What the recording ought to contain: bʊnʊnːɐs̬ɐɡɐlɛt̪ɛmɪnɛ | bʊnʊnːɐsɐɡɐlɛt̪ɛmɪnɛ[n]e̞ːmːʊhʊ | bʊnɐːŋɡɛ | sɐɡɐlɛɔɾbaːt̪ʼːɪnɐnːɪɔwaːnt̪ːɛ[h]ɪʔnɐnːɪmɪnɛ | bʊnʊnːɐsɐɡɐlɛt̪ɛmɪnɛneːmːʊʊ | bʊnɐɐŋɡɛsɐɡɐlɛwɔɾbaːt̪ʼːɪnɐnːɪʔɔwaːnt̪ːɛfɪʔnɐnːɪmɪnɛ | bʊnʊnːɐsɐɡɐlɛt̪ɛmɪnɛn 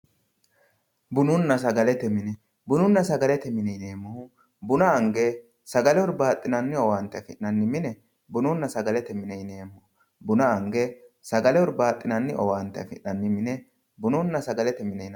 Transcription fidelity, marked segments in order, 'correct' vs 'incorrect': correct, incorrect: f

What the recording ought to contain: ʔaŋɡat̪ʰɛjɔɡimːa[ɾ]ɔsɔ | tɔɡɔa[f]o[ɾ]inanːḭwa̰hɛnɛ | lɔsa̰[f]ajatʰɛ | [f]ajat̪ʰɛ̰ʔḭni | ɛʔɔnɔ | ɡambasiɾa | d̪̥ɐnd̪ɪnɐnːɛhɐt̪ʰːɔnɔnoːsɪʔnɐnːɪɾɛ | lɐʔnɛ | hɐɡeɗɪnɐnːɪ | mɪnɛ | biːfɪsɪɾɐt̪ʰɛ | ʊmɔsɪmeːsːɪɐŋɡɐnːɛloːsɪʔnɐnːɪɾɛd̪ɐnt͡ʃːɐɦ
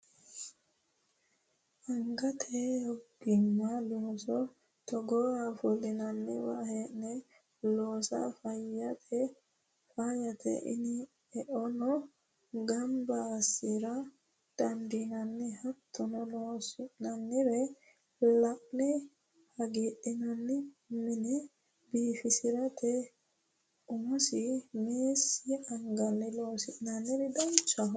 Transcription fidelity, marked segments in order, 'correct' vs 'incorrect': incorrect: l, correct, incorrect: l, correct, correct

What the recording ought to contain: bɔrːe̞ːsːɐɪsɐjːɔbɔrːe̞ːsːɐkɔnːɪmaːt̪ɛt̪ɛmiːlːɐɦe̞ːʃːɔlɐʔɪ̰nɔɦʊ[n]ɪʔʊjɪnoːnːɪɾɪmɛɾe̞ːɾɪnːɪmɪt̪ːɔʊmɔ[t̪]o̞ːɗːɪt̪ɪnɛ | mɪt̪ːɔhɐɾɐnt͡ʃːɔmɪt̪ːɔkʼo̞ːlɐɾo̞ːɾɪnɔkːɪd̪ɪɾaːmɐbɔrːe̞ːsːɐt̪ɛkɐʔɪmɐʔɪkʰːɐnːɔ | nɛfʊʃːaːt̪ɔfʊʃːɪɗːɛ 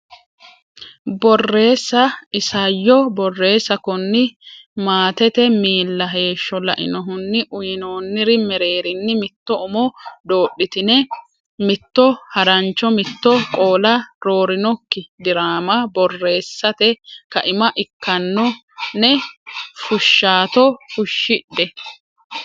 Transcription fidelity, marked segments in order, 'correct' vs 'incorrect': incorrect: nː, incorrect: d̪

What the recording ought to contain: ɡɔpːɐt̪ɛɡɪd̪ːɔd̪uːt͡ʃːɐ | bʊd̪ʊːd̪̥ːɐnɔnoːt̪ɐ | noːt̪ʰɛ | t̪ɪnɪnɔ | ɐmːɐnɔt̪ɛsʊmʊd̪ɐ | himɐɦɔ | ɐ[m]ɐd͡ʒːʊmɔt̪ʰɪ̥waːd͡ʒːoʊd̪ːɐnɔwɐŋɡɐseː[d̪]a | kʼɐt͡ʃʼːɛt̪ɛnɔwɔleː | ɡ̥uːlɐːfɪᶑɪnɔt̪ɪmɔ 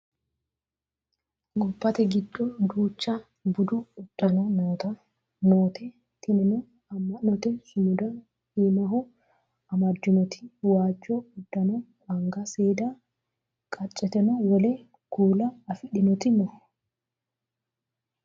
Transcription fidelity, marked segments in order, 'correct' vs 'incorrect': correct, correct

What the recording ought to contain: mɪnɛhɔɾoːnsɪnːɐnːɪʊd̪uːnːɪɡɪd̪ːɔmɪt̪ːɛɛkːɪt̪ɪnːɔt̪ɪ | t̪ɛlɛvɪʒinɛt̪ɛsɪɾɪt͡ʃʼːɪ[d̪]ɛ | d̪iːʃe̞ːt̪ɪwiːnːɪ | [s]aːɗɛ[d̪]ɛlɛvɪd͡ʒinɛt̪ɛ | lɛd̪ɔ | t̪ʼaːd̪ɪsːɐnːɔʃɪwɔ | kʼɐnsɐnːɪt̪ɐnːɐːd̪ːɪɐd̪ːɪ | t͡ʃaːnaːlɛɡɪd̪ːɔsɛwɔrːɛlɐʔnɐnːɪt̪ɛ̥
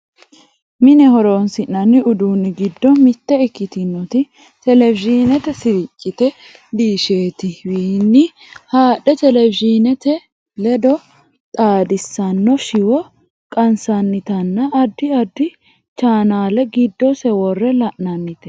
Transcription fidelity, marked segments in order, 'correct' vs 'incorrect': incorrect: t̪, incorrect: h, incorrect: t̪

